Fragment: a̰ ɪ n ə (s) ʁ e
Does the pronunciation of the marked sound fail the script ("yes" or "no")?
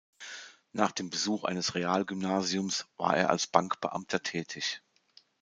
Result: no